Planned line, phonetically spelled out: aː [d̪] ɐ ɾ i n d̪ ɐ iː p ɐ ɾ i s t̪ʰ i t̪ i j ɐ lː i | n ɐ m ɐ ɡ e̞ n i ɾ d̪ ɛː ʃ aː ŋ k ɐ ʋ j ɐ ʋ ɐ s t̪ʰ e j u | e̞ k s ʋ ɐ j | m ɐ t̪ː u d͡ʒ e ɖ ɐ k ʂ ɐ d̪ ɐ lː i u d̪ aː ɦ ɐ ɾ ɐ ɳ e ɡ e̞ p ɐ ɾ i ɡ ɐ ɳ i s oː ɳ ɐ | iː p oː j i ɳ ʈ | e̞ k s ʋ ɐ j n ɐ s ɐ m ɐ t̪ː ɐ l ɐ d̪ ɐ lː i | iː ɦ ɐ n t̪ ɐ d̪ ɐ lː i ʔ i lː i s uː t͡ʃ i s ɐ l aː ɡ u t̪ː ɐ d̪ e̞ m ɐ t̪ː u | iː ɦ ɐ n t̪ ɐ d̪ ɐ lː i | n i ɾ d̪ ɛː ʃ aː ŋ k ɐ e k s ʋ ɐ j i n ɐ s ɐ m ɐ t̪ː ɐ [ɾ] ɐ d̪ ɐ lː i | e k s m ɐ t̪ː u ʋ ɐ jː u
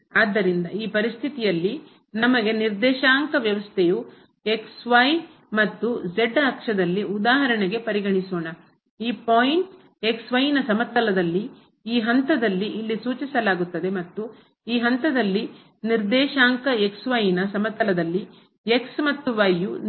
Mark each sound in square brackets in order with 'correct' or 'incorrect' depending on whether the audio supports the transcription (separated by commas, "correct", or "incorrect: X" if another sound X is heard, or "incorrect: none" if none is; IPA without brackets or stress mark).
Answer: incorrect: d̪ː, incorrect: l